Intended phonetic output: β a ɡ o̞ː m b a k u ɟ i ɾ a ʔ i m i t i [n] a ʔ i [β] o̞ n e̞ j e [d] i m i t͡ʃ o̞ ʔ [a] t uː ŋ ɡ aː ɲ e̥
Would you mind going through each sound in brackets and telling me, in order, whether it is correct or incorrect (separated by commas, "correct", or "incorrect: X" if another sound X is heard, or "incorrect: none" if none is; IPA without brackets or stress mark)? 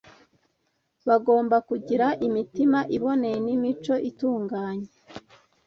incorrect: m, correct, incorrect: n, incorrect: i